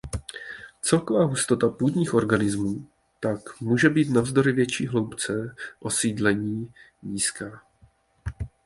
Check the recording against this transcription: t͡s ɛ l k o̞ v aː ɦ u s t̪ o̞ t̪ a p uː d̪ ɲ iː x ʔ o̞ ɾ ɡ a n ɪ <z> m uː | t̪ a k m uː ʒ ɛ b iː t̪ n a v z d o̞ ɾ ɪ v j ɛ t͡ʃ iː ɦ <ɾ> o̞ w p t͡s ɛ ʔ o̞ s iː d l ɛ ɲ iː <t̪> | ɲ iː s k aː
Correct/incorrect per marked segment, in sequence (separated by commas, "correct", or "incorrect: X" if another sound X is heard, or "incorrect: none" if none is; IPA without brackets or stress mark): correct, incorrect: l, incorrect: none